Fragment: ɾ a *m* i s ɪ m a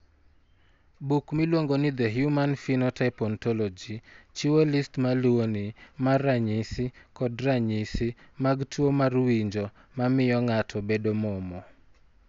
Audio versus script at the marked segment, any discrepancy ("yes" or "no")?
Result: yes